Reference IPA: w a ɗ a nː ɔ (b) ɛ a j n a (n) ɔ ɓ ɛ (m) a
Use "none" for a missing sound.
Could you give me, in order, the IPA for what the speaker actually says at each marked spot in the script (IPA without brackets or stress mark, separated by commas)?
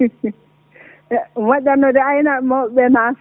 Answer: d, m, n